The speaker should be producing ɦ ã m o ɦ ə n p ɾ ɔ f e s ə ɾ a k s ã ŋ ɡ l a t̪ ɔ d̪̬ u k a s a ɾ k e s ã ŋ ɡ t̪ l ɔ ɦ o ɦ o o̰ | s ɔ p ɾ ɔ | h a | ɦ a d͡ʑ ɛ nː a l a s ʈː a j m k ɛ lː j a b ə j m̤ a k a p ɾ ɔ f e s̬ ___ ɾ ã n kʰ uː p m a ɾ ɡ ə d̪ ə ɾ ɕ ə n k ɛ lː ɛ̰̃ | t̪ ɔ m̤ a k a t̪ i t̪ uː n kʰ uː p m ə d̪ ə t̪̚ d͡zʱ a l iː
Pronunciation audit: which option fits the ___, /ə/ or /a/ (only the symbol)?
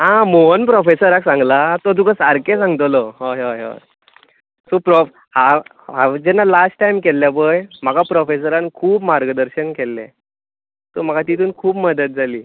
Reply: ə